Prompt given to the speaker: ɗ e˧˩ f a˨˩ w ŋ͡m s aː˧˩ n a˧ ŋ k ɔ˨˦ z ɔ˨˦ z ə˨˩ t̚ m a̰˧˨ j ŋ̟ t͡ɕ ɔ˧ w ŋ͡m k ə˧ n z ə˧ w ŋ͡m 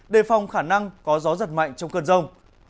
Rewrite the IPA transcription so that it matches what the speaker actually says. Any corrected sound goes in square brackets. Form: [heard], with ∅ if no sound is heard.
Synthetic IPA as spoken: ɗ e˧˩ f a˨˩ w ŋ͡m [x] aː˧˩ n a˧ ŋ k ɔ˨˦ z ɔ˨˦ z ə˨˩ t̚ m a̰˧˨ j ŋ̟ t͡ɕ ɔ˧ w ŋ͡m k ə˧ n z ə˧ w ŋ͡m